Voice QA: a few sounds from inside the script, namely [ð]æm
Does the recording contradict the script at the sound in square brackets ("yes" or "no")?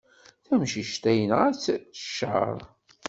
yes